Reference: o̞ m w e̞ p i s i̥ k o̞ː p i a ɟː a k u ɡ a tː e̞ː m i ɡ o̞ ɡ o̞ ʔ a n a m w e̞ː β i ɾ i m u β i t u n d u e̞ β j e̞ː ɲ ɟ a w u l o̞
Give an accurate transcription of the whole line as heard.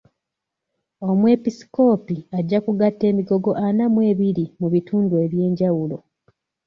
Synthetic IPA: o̞ m w e̞ p i s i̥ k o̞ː p i a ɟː a k u ɡ a tː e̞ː m i ɡ o̞ ɡ o̞ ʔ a n a m w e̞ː β i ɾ i m u β i t uː n d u e̞ β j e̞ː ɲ ɟ a w u l o̞